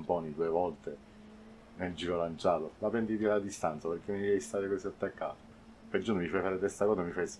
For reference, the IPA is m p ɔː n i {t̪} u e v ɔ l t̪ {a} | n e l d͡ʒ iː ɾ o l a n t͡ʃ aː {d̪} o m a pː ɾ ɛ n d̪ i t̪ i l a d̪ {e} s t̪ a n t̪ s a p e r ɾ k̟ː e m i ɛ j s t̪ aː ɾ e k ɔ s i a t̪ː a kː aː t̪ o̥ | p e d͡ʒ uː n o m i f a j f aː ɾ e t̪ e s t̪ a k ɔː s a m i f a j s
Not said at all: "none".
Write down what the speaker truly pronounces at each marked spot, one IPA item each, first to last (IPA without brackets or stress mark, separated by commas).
d̪, e, t̪, i